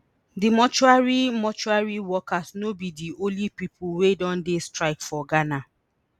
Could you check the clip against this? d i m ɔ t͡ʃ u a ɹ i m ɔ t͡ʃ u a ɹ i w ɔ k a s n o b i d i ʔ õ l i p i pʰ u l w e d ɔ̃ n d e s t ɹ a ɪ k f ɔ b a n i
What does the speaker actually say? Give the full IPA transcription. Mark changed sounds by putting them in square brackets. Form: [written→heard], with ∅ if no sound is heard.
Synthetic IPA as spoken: d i m ɔ t͡ʃ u a ɹ i m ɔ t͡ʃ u a ɹ i w ɔ k a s n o b i d i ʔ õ l i p i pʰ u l w e d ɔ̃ n d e s t ɹ a ɪ k f ɔ [b→ɡ] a n [i→a]